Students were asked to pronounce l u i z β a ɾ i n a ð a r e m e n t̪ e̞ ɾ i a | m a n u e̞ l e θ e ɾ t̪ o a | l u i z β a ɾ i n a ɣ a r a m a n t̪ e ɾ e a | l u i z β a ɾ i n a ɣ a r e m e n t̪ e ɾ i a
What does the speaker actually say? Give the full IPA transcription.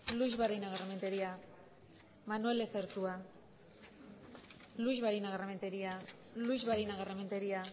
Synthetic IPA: l u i z β a ɾ i n a ɣ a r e m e n t̪ e̞ ɾ i a | m a n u e̞ l e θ e ɾ t̪ u a | l u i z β a ɾ i n a ɣ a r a m e n t̪ e ɾ i a | l u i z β a ɾ i n a ɣ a r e m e n t̪ e ɾ i a